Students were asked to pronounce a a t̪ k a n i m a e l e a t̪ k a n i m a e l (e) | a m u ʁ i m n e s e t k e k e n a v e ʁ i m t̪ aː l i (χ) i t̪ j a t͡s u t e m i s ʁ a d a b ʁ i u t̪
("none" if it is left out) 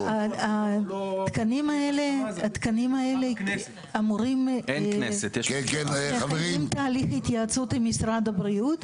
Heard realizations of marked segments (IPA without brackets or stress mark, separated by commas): e, χ